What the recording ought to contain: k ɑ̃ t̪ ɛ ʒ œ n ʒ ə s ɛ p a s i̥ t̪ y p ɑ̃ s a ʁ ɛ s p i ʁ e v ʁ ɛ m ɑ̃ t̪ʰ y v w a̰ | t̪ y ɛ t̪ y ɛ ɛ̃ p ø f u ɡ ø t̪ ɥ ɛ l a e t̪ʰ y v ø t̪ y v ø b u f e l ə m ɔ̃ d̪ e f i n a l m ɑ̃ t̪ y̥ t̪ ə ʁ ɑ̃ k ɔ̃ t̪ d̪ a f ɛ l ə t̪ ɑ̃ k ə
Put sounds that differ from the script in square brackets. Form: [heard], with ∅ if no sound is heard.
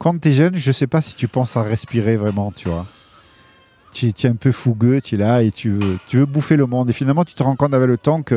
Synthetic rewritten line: k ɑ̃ t̪ ɛ ʒ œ n ʒ ə s ɛ p a s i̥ t̪ y p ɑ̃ s a ʁ ɛ s p i ʁ e v ʁ ɛ m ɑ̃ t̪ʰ y v w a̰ | t̪ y ɛ t̪ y ɛ ɛ̃ p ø f u ɡ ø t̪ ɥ ɛ l a e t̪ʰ y v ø t̪ y v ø b u f e l ə m ɔ̃ d̪ e f i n a l m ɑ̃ t̪ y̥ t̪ ə ʁ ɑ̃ k ɔ̃ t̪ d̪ a [v] ɛ l ə t̪ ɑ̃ k ə